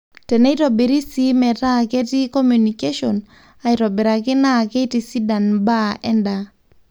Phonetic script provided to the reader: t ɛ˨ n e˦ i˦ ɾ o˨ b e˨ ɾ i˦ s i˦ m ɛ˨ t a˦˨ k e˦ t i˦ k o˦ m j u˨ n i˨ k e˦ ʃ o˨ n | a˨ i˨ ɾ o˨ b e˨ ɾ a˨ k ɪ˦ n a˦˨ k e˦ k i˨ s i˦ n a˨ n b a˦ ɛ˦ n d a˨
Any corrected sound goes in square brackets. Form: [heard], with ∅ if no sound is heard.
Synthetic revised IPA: t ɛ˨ n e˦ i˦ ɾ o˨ b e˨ ɾ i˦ s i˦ m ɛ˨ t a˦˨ k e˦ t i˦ k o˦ m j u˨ n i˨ k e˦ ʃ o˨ n | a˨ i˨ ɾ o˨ b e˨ ɾ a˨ k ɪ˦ n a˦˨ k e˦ [t] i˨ s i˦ [d] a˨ n b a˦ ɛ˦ n d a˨